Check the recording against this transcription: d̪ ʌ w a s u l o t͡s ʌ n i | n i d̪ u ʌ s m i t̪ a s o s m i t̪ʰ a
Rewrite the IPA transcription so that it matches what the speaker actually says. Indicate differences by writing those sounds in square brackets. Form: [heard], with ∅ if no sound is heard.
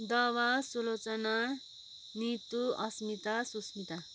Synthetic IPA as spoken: d̪ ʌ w a s u l o t͡s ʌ n [a] | n i [t̪] u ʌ s m i t̪ a s [u] s m i [t̪] a